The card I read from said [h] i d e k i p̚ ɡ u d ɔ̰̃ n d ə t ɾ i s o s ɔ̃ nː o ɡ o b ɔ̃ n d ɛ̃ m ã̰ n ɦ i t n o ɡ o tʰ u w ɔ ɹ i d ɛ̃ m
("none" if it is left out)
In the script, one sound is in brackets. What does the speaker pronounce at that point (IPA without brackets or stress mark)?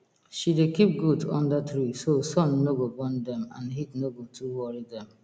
ʃ